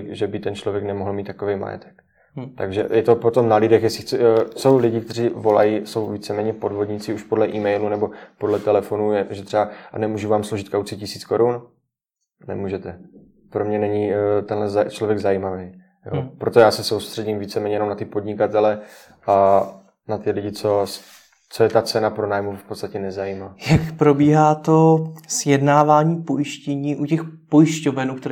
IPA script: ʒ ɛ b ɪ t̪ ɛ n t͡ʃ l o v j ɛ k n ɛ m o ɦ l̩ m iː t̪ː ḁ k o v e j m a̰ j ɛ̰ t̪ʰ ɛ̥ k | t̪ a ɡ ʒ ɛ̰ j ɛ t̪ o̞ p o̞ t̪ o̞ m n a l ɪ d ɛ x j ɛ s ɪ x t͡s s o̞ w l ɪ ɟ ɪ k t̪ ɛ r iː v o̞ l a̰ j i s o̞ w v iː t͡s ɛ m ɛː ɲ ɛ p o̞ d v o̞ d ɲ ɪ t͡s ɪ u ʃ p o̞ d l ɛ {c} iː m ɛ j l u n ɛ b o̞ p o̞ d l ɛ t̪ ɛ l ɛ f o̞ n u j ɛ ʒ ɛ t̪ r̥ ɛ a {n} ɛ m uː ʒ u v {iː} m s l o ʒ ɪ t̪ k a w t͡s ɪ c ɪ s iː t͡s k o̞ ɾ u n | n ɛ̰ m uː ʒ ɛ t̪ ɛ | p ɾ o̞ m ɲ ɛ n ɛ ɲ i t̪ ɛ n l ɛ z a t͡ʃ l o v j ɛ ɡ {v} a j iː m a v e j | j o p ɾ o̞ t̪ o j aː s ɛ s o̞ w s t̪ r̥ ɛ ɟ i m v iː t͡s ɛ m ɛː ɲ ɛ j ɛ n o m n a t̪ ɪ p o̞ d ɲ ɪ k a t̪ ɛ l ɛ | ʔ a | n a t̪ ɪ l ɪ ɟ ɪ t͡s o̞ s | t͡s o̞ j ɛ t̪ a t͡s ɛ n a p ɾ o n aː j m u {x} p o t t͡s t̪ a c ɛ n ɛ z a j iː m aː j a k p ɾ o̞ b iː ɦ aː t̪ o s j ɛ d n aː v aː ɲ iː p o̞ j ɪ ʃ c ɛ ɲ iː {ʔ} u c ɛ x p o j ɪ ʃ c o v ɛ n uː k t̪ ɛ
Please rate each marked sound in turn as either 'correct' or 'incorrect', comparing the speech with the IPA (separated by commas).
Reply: incorrect, correct, incorrect, incorrect, incorrect, correct